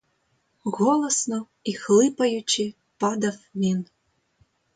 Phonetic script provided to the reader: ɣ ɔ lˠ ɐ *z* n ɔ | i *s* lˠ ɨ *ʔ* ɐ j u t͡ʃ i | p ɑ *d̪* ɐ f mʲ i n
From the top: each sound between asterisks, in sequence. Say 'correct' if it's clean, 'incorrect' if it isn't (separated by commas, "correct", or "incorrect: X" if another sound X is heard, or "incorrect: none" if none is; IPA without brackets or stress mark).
incorrect: s, incorrect: x, incorrect: p, correct